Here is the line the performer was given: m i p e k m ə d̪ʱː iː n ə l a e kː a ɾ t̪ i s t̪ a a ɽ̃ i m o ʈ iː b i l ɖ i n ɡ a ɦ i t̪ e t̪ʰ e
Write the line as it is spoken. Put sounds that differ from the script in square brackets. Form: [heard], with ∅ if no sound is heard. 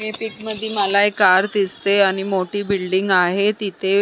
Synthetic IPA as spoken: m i p [i] k m ə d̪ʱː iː [m] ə l a e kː a ɾ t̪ i s t̪ [e] a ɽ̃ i m o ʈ iː b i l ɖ i [ŋ] ɡ a ɦ [e] t̪ [i] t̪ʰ e